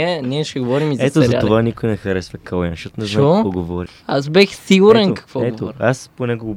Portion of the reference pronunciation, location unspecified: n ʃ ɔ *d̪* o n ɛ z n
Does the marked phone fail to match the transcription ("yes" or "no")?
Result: yes